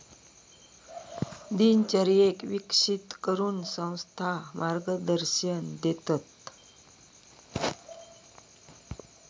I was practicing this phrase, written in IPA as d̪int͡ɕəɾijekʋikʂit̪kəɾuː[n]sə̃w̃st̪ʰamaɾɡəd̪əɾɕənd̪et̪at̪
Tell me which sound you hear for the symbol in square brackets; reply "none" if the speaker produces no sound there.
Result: n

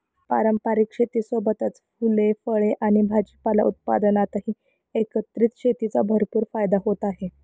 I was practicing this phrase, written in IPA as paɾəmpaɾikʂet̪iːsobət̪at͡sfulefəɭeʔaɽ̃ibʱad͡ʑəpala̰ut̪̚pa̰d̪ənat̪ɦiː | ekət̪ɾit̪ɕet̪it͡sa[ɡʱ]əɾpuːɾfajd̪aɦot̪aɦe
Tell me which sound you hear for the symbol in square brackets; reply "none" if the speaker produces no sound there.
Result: bʱ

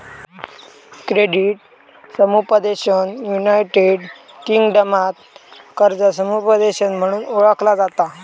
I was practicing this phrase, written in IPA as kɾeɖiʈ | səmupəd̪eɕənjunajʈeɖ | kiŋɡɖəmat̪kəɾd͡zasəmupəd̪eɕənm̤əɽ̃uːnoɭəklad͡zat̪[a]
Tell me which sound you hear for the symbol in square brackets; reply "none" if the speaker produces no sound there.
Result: a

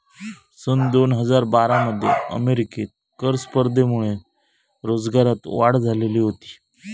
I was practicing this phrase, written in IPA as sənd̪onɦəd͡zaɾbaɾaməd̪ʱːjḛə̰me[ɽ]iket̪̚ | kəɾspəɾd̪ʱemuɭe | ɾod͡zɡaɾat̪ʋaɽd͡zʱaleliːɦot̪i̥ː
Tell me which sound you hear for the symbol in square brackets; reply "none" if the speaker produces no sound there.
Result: ɾ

